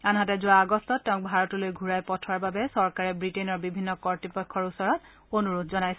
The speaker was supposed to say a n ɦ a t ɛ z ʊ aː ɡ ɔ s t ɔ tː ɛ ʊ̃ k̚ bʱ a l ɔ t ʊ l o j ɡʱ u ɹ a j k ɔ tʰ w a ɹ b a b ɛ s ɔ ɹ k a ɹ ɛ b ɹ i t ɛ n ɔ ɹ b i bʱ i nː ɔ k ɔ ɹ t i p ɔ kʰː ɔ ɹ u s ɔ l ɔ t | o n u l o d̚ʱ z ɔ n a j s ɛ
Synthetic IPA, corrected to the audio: a n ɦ a t ɛ z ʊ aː ɡ ɔ s t ɔ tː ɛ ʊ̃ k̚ bʱ a ɹ ɔ t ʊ l o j ɡʱ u ɹ a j p ɔ tʰ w a ɹ b a b ɛ s ɔ ɹ k a ɹ ɛ b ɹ i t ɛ n ɔ ɹ b i bʱ i nː ɔ k ɔ ɹ t i p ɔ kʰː ɔ ɹ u s ɔ ɹ ɔ t | o n u ɹ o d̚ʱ z ɔ n a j s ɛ